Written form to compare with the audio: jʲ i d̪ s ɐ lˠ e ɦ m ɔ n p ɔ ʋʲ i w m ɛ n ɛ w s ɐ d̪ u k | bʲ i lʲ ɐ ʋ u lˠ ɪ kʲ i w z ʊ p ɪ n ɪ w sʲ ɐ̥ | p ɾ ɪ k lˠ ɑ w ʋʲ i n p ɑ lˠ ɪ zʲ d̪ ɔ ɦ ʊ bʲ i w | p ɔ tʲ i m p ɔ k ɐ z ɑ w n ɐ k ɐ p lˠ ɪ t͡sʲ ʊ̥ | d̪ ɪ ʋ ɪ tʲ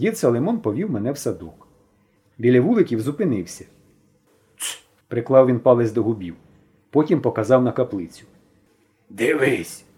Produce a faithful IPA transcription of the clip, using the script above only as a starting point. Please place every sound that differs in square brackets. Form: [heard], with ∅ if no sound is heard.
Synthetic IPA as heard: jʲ i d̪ s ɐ lˠ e [∅] m ɔ n p ɔ ʋʲ i w m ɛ n ɛ w s ɐ d̪ u k | bʲ i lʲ ɐ ʋ u lˠ ɪ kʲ i w z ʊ p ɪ n ɪ w sʲ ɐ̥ | p ɾ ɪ k lˠ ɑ w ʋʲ i n p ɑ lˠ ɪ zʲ d̪ ɔ ɦ ʊ bʲ i w | p ɔ tʲ i m p ɔ k ɐ z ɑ w n ɐ k ɐ p lˠ ɪ t͡sʲ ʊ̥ | d̪ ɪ ʋ ɪ [sʲ]